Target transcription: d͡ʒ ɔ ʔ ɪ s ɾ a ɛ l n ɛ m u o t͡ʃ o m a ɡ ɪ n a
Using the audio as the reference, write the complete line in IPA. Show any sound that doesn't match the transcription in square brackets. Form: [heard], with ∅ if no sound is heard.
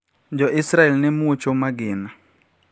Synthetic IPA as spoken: d͡ʒ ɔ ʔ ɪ s ɾ a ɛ l n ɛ m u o t͡ʃ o m a ɡ ɪ n a